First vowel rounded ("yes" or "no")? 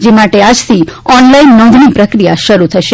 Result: no